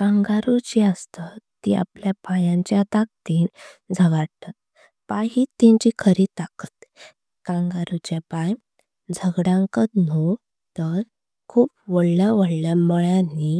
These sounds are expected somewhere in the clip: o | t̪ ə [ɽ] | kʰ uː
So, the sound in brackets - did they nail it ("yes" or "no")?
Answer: no